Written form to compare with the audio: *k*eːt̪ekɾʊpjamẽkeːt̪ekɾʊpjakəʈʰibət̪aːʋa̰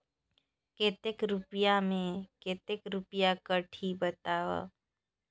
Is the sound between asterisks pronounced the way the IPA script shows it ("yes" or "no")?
yes